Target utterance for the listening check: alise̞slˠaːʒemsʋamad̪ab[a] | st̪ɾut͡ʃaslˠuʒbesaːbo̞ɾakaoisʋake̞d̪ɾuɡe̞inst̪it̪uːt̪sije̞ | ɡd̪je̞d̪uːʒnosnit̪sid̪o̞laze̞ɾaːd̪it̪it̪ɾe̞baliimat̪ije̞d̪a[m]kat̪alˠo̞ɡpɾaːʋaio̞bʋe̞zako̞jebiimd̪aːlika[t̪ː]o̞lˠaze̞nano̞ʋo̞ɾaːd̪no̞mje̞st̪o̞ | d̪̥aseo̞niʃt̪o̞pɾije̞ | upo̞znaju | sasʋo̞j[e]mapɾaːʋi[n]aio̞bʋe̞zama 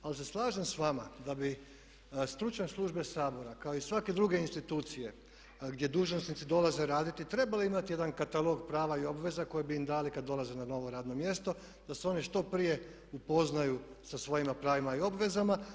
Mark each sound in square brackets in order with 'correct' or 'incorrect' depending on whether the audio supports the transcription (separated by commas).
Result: incorrect, incorrect, incorrect, incorrect, incorrect